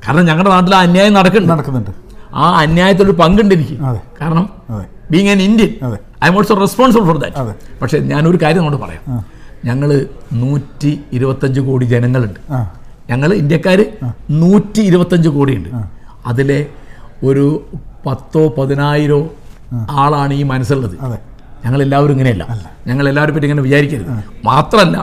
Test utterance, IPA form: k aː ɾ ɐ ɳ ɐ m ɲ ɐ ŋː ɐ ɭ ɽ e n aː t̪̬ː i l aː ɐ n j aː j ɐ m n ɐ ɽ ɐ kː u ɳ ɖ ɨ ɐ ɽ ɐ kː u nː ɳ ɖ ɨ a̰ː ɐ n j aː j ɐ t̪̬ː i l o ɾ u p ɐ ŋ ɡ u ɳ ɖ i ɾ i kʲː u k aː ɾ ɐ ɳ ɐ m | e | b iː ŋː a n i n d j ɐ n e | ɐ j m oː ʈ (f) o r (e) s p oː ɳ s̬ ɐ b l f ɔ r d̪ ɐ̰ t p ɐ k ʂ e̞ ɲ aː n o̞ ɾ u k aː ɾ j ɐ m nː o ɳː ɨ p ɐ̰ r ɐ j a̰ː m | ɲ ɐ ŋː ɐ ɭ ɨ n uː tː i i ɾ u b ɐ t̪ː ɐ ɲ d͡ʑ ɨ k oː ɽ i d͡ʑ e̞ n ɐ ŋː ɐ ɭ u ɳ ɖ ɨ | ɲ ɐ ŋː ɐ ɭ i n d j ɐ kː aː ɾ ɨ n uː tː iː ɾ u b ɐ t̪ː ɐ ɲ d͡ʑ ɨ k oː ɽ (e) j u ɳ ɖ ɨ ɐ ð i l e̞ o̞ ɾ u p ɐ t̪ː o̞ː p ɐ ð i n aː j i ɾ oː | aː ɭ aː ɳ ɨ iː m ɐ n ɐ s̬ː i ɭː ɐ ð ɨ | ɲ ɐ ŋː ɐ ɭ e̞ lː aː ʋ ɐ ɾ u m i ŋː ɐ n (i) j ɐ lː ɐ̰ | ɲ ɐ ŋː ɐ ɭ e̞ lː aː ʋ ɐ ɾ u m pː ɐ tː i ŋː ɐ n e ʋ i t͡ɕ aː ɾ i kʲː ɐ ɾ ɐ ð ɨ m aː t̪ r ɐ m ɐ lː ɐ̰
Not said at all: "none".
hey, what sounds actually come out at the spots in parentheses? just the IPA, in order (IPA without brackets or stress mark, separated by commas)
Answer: s, e, i, e